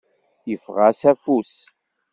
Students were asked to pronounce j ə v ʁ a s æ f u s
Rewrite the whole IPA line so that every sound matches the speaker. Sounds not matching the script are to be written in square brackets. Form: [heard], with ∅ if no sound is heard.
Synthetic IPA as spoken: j ə [f] ʁ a s æ f u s